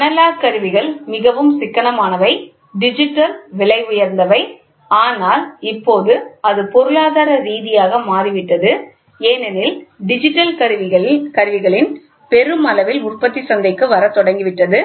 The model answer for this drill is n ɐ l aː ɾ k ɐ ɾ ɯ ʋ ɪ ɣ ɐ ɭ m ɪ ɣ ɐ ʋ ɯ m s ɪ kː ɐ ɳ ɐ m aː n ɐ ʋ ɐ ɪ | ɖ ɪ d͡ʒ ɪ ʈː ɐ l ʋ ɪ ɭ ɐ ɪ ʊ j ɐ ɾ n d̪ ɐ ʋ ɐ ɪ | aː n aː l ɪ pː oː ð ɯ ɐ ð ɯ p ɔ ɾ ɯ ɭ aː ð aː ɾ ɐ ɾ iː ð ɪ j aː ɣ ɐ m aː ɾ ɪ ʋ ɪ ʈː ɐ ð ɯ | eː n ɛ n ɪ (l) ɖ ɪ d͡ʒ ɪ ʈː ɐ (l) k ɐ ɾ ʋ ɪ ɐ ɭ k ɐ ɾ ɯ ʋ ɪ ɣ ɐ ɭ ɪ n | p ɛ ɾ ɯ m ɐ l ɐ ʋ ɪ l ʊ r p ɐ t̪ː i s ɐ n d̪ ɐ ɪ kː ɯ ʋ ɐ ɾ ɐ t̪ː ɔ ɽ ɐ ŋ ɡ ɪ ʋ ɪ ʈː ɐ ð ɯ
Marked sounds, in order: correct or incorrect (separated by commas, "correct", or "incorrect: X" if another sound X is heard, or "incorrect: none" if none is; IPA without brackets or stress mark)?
correct, correct